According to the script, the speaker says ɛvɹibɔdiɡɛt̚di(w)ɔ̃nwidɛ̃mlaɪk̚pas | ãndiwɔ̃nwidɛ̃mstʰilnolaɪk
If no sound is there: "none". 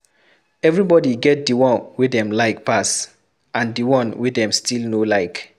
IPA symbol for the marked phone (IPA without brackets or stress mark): w